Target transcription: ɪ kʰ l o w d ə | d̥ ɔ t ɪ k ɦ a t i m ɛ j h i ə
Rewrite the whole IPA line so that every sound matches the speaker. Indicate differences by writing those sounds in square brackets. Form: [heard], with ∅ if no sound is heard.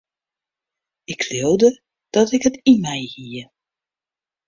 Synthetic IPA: ɪ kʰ l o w d ə | d̥ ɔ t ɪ k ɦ [ə] t i m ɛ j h i ə